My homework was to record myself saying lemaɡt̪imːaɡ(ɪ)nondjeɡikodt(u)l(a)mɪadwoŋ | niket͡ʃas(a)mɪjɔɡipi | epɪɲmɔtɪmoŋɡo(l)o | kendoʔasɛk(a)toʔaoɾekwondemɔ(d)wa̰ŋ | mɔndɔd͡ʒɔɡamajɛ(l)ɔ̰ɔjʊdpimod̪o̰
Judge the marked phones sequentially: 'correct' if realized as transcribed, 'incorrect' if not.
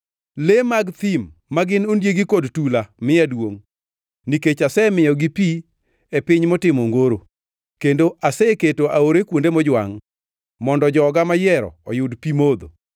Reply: correct, correct, correct, incorrect, incorrect, incorrect, incorrect, incorrect

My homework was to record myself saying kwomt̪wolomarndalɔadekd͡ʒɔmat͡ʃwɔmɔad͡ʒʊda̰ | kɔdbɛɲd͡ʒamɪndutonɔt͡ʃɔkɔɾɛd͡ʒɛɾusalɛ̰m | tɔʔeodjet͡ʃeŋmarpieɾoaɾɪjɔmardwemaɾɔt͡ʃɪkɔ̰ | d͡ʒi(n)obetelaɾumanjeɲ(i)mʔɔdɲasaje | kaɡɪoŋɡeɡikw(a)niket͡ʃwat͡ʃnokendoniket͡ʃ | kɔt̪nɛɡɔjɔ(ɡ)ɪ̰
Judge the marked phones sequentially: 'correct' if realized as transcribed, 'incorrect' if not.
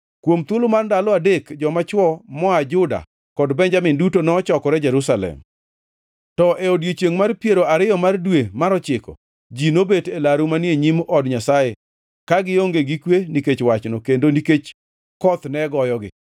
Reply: correct, correct, incorrect, correct

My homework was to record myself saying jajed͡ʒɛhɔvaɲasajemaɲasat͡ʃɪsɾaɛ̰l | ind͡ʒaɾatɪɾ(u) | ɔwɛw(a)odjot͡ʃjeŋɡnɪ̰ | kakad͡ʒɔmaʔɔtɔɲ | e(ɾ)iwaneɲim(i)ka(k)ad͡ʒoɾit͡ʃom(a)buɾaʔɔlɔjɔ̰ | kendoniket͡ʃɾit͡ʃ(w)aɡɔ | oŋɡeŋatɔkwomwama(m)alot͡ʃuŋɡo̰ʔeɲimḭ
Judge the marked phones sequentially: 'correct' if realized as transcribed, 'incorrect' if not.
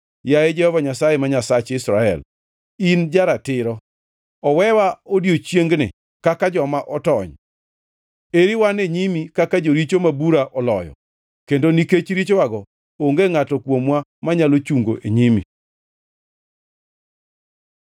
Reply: incorrect, correct, correct, correct, correct, correct, correct, incorrect

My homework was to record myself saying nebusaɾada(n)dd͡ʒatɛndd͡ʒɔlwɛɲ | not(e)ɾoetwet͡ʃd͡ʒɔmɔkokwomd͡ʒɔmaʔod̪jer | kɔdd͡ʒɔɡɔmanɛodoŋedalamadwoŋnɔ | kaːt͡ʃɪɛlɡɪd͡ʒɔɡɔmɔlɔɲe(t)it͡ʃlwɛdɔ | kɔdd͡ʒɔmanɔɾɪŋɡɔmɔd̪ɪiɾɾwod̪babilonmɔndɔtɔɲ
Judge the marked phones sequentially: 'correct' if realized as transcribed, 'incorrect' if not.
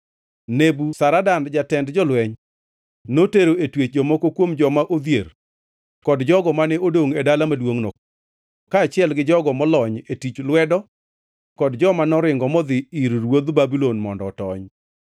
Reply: correct, correct, correct

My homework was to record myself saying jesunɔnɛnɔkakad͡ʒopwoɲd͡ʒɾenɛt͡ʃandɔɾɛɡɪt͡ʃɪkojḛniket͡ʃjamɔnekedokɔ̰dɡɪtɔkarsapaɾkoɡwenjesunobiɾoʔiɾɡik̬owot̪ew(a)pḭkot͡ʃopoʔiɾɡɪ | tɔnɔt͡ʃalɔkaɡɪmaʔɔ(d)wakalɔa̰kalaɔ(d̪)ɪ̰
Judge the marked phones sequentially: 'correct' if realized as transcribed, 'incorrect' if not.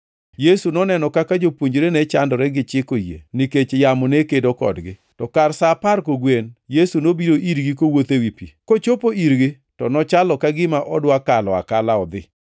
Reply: incorrect, correct, correct

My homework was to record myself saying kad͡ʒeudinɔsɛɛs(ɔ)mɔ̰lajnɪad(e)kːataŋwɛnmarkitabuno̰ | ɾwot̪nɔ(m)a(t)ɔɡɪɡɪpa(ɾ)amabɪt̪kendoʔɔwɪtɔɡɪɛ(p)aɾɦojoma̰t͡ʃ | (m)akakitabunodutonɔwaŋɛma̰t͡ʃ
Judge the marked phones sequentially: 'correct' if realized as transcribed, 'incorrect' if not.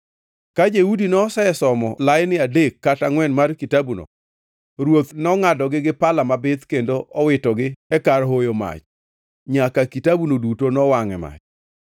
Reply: correct, correct, incorrect, incorrect, incorrect, incorrect, incorrect

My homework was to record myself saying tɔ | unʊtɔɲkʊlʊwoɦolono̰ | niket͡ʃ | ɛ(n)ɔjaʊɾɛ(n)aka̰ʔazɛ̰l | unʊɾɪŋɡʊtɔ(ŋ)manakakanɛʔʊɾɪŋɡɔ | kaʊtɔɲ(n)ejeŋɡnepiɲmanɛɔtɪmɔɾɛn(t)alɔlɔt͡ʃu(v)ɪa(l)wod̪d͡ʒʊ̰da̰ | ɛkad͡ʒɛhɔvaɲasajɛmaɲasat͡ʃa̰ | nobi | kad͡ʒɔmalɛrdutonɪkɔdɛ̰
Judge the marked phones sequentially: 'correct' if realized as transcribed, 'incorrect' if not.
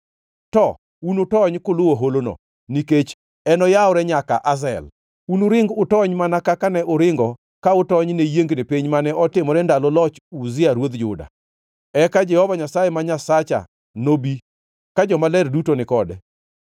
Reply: correct, incorrect, incorrect, correct, incorrect, incorrect, incorrect

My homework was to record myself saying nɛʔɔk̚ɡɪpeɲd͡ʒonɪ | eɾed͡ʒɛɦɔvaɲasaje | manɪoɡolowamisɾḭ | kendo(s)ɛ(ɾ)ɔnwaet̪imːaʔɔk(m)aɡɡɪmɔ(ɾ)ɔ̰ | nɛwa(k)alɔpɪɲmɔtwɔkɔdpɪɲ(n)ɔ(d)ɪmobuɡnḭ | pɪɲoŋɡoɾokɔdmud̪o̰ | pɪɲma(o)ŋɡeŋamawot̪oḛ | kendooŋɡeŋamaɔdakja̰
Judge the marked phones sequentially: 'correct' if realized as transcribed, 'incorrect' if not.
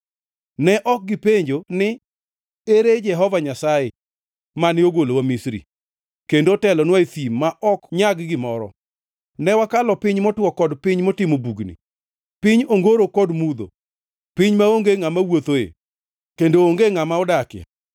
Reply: incorrect, incorrect, incorrect, correct, correct, incorrect, incorrect, correct

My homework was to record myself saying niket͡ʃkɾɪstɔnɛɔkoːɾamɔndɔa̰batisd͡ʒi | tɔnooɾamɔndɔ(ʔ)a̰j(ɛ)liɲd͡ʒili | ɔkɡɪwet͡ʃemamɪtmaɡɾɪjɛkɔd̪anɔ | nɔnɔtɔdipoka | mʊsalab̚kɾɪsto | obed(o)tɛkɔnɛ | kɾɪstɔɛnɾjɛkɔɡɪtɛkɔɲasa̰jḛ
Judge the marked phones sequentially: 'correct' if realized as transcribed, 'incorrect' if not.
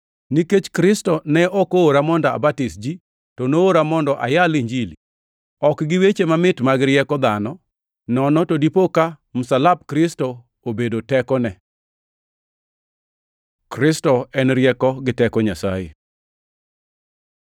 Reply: correct, incorrect, correct

